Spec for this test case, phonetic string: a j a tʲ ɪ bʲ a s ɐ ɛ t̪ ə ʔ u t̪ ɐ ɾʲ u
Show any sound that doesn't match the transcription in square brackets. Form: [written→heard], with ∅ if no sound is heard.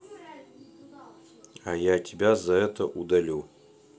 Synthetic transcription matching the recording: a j a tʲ ɪ bʲ a [s→z] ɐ ɛ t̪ ə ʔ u [t̪→d̪] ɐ [ɾʲ→lʲ] u